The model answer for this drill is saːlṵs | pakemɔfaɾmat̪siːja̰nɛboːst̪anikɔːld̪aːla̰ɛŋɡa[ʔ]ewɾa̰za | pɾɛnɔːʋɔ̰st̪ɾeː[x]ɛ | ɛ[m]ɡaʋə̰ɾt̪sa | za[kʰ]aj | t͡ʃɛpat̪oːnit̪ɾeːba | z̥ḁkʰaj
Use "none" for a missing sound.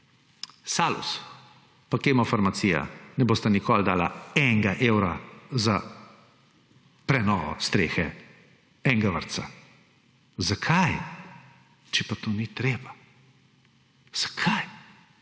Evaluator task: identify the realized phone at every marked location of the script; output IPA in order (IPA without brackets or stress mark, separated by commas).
ʔ, x, ŋ, kʰ